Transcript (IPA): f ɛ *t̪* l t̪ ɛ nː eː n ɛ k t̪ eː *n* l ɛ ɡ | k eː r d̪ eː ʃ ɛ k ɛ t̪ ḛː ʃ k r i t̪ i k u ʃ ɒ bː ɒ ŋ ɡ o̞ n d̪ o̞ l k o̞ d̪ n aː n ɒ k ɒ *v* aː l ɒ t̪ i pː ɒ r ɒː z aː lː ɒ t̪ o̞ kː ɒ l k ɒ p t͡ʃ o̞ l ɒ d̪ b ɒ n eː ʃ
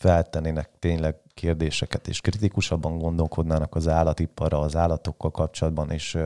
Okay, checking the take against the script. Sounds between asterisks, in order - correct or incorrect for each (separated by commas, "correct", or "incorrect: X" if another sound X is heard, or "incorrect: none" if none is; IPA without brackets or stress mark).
incorrect: none, incorrect: ɲ, incorrect: z